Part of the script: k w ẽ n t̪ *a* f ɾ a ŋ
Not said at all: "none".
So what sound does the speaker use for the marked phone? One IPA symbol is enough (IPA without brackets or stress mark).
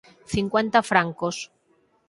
a